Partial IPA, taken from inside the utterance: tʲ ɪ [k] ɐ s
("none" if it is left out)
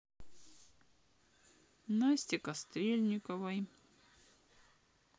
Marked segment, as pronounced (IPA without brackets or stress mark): k